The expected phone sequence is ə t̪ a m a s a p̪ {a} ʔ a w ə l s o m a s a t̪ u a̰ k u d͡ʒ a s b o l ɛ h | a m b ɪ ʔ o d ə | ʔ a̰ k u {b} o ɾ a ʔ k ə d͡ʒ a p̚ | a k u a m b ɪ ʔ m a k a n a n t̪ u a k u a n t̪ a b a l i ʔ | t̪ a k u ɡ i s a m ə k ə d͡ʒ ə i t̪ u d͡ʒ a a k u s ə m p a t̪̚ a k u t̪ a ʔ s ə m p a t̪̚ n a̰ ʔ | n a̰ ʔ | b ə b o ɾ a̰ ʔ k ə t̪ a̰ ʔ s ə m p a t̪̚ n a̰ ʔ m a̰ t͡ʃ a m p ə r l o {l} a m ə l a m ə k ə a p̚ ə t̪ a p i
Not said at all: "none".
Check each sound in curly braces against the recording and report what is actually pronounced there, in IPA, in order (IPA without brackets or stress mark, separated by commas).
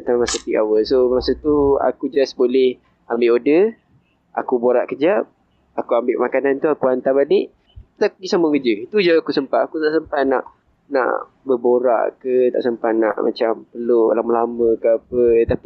i, b, l